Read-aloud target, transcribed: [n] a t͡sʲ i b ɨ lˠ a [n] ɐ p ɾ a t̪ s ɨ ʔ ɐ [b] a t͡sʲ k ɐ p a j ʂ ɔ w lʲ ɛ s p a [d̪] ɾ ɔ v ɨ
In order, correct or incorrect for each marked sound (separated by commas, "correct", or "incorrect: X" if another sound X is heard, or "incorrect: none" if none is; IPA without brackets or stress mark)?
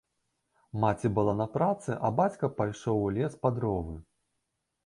incorrect: m, correct, correct, correct